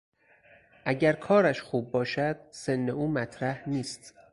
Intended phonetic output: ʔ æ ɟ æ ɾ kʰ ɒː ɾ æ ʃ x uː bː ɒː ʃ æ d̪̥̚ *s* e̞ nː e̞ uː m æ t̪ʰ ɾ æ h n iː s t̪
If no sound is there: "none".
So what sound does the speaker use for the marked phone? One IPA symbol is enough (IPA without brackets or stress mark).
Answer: s